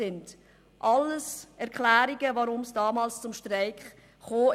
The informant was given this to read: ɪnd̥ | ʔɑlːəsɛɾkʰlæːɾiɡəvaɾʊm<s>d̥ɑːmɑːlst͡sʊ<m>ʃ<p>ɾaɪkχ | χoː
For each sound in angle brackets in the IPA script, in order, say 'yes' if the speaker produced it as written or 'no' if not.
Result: yes, yes, no

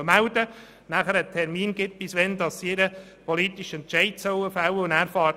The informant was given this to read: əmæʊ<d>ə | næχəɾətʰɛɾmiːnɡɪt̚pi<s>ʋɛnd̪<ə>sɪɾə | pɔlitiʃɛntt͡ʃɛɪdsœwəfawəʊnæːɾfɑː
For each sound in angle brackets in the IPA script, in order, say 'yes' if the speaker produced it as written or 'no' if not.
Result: yes, yes, no

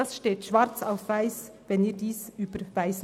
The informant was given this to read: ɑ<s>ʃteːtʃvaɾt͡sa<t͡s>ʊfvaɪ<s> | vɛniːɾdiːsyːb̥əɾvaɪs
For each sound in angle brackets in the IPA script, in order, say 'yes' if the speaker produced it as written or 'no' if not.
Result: yes, no, yes

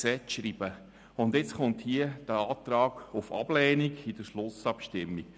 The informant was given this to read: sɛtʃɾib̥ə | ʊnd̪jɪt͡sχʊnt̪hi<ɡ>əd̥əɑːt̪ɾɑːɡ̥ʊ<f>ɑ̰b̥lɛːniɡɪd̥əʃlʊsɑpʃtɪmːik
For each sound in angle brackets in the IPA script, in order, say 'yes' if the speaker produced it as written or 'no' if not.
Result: no, yes

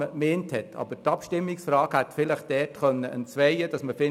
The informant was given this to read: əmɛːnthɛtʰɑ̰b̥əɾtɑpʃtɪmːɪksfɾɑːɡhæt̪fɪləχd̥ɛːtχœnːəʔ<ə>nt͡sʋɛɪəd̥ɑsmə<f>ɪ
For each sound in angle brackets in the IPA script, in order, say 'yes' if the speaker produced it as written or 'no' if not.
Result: yes, yes

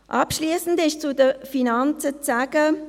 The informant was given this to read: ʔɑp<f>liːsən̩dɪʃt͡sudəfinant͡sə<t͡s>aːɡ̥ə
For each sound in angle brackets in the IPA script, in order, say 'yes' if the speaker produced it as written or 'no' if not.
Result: no, yes

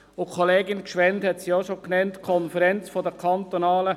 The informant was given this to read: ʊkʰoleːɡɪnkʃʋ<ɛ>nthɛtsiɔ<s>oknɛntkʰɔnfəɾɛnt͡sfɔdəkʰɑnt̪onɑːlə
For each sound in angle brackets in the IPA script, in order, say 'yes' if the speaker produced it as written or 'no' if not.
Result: yes, no

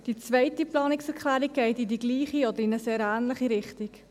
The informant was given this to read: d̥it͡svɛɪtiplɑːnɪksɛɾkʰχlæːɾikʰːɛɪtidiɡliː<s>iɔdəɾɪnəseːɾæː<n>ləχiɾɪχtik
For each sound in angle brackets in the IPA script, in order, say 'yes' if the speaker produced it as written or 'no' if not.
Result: no, yes

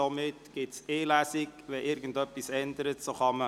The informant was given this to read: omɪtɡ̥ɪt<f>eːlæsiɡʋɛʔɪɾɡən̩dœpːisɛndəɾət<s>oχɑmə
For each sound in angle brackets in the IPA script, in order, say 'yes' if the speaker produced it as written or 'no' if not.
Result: no, yes

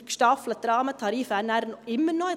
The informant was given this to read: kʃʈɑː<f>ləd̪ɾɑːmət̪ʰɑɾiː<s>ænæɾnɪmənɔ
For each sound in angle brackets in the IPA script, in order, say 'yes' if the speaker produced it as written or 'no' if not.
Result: yes, no

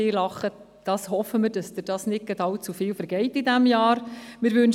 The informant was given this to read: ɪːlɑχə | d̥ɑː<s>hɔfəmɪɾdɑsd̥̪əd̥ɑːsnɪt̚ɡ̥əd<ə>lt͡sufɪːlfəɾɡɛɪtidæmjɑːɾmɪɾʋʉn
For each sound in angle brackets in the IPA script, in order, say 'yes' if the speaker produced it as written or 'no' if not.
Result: yes, no

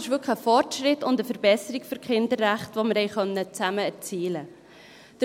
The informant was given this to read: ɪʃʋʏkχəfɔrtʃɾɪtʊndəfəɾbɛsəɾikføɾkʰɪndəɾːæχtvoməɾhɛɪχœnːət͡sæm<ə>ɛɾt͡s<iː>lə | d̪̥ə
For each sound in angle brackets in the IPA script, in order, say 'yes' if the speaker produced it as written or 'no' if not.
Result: yes, yes

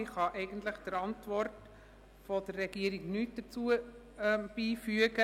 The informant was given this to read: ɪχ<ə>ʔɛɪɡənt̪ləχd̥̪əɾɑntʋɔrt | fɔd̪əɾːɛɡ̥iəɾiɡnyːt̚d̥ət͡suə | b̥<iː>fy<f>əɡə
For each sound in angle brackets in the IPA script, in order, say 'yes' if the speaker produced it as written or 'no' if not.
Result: no, yes, no

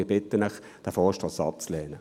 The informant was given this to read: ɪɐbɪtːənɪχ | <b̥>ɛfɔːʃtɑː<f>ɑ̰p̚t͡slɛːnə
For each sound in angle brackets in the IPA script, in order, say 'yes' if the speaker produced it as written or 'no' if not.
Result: no, no

